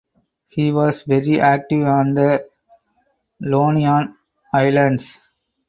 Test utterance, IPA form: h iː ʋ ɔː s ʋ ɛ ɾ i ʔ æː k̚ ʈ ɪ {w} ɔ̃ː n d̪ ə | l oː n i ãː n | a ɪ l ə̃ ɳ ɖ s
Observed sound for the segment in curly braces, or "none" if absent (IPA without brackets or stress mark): ʋ